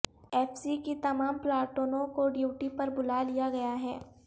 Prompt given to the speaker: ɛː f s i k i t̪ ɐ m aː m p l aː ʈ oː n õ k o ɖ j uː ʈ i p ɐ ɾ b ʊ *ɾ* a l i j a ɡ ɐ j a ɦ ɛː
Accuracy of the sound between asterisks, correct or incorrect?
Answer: incorrect